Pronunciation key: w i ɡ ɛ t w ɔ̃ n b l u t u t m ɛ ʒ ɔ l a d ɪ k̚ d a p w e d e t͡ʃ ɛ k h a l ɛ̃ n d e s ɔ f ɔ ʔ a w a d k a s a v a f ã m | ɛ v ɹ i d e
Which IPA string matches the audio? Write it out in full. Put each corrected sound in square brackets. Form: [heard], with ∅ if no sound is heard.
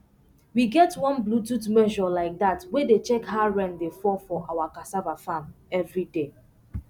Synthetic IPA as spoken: w i ɡ ɛ t w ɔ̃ n b l u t u t m ɛ ʒ ɔ l a [∅] ɪ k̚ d a [t] w e d e t͡ʃ ɛ k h a [ɹ] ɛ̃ n d e [f] ɔ f ɔ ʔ a w a [∅] k a s a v a f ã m | ɛ v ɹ i d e